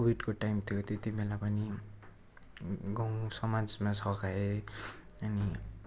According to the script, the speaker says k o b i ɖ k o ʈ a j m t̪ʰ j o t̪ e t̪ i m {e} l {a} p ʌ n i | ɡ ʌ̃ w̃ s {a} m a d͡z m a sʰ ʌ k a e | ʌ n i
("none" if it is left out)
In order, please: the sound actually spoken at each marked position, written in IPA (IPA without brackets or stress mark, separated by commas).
e, a, ʌ